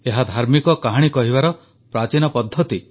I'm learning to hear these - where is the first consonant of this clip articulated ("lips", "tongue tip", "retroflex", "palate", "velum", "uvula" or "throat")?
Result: throat